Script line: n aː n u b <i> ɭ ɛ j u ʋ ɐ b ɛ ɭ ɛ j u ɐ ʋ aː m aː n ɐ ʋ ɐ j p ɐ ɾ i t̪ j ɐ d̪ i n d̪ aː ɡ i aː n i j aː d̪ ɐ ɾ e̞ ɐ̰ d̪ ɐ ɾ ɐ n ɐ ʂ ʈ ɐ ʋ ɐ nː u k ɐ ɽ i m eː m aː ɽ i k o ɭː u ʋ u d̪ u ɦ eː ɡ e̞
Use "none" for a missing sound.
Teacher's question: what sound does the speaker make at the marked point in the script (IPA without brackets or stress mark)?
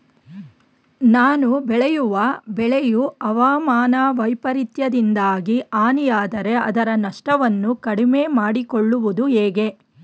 ɛ